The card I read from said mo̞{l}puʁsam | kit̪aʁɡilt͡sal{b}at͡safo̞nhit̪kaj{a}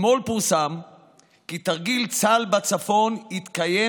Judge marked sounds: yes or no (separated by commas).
yes, yes, no